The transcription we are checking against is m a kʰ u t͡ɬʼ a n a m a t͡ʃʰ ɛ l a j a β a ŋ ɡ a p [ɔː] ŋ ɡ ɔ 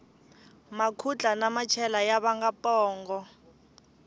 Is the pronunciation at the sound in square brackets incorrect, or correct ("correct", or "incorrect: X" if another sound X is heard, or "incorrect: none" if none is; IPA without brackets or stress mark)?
correct